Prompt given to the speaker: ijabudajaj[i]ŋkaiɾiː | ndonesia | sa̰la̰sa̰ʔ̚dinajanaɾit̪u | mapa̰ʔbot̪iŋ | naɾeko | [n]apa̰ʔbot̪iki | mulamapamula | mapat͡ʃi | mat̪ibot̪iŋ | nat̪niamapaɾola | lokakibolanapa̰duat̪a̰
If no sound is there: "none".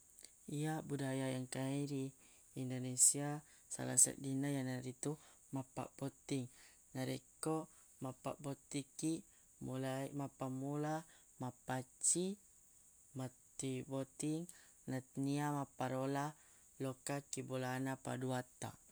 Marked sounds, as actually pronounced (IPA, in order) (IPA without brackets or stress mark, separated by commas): a, m